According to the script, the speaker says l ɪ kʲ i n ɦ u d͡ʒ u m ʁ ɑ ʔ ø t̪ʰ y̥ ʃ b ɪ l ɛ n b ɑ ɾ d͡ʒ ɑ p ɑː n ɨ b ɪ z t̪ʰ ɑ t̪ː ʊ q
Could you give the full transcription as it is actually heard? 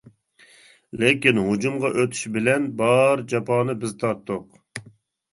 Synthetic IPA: l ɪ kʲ i n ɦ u d͡ʒ u m ʁ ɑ ʔ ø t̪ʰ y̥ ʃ b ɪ l ɛ n b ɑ ɾ d͡ʒ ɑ p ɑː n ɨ b ɪ z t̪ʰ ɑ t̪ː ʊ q